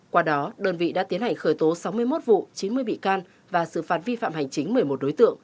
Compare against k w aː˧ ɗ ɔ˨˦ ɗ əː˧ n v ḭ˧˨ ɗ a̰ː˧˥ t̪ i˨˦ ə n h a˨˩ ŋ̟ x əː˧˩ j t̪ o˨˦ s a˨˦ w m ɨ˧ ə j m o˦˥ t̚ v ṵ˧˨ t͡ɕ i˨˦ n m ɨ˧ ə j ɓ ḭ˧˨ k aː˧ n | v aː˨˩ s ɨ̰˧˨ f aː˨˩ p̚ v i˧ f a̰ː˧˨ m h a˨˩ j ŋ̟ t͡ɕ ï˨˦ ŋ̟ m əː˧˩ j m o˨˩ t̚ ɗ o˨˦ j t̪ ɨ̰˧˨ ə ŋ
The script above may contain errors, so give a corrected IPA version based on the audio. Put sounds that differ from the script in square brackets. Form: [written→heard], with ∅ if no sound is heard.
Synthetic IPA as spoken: k w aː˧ ɗ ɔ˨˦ ɗ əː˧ n v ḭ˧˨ ɗ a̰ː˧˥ t̪ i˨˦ ə n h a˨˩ ŋ̟ x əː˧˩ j t̪ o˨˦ s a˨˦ w m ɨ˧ ə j m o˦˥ t̚ v ṵ˧˨ t͡ɕ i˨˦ n m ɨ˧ ə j ɓ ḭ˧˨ k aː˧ n | v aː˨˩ s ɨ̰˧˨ f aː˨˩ [p̚→t̚] v i˧ f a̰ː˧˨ m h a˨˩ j ŋ̟ t͡ɕ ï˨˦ ŋ̟ m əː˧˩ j m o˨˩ t̚ ɗ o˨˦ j t̪ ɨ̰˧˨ ə ŋ